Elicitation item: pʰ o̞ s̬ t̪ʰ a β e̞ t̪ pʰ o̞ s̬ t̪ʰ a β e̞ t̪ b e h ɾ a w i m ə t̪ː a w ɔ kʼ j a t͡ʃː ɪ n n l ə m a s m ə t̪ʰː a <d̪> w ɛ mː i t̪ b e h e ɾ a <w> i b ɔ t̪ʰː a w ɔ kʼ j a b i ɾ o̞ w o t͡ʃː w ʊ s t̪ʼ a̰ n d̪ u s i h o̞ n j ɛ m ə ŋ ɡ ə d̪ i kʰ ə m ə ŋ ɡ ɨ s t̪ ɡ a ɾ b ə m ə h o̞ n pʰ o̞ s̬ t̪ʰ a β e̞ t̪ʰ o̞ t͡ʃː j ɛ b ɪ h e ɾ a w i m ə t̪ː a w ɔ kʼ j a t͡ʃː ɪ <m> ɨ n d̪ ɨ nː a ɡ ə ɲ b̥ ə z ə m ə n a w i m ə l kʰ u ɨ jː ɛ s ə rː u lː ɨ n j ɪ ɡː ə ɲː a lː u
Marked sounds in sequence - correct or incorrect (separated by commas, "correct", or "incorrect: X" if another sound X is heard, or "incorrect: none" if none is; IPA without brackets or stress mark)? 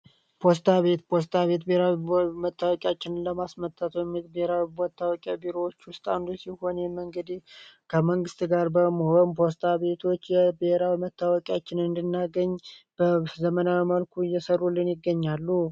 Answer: incorrect: t̪, correct, incorrect: n